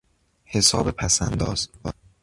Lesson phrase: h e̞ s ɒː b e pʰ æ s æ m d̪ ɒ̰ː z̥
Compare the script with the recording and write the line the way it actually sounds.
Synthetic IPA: h e̞ s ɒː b e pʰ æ s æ n d̪ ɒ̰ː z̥